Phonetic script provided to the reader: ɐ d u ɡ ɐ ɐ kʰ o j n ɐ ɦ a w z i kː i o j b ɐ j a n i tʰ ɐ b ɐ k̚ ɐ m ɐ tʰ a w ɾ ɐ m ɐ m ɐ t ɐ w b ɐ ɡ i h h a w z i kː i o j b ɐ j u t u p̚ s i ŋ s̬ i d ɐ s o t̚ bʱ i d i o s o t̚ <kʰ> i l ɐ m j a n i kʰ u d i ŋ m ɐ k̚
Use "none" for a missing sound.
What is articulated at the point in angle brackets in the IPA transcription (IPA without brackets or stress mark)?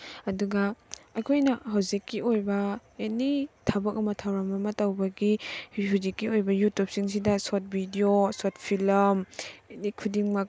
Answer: pʰ